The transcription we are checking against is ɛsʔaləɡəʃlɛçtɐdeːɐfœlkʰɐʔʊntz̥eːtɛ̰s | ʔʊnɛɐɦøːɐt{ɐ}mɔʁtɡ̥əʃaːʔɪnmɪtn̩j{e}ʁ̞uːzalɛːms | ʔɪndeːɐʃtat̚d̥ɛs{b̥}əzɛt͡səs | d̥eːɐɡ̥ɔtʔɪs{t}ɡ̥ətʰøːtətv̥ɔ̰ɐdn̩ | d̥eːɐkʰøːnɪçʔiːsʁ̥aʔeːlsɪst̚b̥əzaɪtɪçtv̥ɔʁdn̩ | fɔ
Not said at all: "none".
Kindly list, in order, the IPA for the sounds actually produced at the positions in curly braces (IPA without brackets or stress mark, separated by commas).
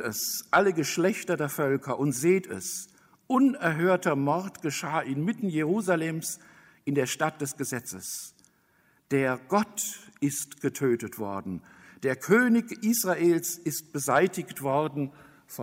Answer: ɐ, e, ɡ̥, t